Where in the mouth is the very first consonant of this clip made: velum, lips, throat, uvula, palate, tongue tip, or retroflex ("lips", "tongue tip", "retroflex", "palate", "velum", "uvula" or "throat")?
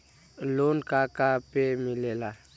tongue tip